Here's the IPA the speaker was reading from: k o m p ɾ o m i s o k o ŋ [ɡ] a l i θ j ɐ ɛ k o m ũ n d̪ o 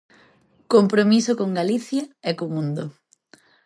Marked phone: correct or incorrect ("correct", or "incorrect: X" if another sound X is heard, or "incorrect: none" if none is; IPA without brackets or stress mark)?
correct